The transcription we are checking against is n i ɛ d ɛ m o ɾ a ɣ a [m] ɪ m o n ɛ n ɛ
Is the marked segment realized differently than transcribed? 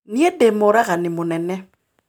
yes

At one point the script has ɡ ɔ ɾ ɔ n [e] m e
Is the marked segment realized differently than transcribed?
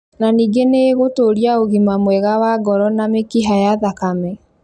yes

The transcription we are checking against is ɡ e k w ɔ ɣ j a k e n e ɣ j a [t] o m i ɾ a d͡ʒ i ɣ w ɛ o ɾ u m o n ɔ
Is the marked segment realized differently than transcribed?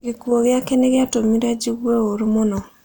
no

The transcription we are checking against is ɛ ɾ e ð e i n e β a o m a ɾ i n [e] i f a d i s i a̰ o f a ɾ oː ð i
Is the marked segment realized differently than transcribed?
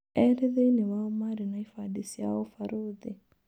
yes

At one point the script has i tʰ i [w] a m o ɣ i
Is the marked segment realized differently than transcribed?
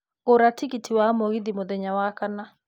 no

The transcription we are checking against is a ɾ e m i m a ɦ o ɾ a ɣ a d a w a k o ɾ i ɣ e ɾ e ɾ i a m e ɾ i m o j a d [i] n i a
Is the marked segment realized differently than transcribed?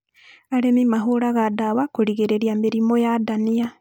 yes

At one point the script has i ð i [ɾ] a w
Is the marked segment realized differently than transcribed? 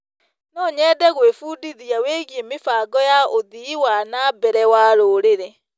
yes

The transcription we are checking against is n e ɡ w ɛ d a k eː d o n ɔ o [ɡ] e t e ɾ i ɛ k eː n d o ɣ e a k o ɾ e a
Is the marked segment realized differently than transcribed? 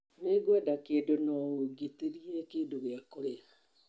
no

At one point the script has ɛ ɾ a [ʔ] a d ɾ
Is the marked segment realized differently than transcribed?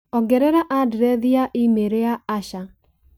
no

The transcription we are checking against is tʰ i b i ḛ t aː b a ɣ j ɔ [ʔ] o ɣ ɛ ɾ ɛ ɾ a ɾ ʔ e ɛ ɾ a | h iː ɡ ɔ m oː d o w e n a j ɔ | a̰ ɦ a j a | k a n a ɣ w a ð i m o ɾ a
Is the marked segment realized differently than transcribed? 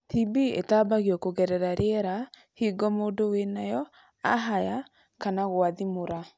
yes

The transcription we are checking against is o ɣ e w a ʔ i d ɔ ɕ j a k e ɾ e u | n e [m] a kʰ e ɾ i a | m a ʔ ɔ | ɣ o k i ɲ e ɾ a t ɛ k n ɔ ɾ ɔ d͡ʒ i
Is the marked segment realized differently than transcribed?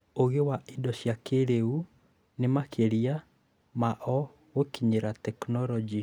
no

